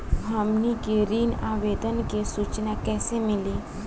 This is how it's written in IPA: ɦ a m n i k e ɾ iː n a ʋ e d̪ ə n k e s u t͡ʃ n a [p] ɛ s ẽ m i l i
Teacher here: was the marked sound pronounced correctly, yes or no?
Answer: no